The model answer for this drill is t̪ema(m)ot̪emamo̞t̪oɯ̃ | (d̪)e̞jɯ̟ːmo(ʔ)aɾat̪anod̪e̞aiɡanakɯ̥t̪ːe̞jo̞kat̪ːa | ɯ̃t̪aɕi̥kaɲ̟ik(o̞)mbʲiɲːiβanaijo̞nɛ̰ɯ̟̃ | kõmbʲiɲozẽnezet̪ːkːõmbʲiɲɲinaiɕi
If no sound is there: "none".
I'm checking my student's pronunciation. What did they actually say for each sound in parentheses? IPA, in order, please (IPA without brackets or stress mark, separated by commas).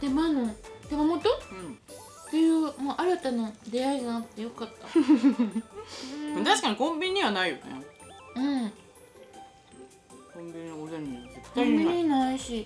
n, t̪, ʔ, õ̞